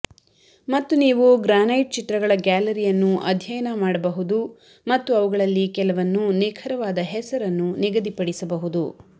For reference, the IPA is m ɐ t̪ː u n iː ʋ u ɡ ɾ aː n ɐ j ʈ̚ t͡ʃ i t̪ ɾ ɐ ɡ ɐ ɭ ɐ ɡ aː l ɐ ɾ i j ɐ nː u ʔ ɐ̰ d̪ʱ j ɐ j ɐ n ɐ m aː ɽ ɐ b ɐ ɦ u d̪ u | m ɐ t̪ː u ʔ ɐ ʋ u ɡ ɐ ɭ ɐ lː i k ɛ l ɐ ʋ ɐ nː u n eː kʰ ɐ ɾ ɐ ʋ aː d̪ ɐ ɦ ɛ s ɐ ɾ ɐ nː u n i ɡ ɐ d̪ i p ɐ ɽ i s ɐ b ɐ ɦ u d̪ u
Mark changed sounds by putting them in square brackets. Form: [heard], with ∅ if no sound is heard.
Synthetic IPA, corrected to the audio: m ɐ t̪ː u n iː ʋ u ɡ ɾ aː n ɐ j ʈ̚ t͡ʃ i t̪ ɾ ɐ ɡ ɐ ɭ ɐ ɡ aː l ɐ ɾ i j ɐ nː u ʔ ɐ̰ d̪ʱ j ɐ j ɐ n ɐ m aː ɽ ɐ b ɐ ɦ u d̪ u | m ɐ t̪ː u [∅] ɐ ʋ u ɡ ɐ ɭ ɐ lː i k ɛ l ɐ ʋ ɐ nː u n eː kʰ ɐ ɾ ɐ ʋ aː d̪ ɐ ɦ ɛ s ɐ ɾ ɐ nː u n i ɡ ɐ d̪ i p ɐ ɽ i s ɐ b ɐ ɦ u d̪ u